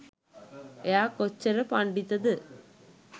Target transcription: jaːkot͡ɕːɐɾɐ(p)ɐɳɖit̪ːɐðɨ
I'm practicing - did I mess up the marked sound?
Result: no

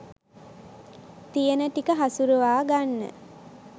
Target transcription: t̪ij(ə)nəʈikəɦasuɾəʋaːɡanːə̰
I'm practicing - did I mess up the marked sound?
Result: no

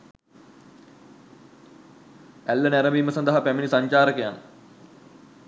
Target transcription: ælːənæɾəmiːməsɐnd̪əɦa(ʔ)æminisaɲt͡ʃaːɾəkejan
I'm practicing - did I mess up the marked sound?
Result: yes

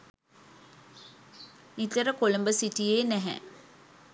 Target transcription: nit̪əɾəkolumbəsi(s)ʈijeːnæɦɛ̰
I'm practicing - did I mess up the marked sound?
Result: yes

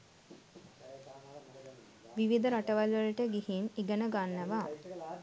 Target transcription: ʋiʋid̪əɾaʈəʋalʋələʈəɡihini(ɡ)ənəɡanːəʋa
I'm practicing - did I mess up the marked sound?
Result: no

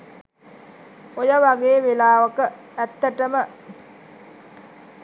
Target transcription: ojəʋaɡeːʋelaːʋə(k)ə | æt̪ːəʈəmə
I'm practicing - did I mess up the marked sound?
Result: no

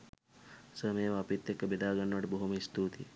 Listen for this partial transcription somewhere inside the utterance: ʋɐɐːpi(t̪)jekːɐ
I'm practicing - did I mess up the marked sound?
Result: no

